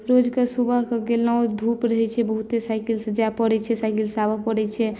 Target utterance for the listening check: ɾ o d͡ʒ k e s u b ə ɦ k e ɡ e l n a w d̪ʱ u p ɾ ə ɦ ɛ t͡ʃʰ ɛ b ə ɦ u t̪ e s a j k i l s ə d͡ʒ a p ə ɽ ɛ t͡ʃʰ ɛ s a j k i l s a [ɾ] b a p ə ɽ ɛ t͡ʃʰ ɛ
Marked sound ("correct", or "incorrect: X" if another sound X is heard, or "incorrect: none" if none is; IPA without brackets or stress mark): incorrect: none